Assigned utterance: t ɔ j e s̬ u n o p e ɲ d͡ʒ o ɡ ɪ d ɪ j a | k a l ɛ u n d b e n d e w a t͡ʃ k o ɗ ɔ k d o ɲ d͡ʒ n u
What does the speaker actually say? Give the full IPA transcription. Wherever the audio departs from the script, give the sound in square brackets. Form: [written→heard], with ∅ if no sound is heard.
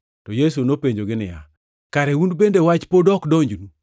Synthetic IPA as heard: t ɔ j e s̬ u n o p e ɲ d͡ʒ o ɡ ɪ [d→n] ɪ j a | k a [l→ɾ] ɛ u n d b e n d e w a t͡ʃ [k→p] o [ɗ→d] ɔ k d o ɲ d͡ʒ n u